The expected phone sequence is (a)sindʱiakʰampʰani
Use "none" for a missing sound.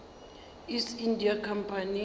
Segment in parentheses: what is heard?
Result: i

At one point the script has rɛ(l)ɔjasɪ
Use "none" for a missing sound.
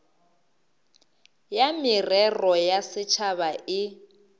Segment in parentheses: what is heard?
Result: r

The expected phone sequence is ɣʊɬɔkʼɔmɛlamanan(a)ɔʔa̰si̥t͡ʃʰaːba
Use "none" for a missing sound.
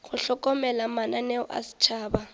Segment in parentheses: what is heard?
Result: ɛ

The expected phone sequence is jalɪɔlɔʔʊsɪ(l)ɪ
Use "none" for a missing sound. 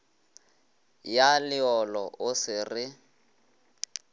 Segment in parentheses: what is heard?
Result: r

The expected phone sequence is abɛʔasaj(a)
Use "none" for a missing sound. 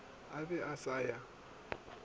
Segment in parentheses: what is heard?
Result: a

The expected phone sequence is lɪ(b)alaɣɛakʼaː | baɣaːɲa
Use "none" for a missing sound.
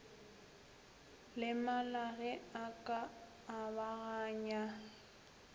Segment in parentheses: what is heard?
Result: m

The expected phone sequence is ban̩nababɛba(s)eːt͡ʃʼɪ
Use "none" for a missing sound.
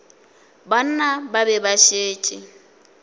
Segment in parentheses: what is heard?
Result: ʃ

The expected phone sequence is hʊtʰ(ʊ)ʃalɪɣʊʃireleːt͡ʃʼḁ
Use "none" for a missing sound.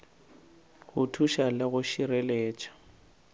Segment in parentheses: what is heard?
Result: u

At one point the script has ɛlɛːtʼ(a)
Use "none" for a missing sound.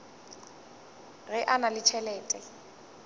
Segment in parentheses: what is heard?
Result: ɛ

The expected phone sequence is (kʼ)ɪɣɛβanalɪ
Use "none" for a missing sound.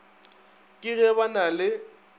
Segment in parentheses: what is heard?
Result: kʼ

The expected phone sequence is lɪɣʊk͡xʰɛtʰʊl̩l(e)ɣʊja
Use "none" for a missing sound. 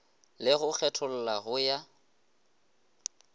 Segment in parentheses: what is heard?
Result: a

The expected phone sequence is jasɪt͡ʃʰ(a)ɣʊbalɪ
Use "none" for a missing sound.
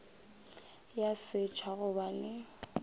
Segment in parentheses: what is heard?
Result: a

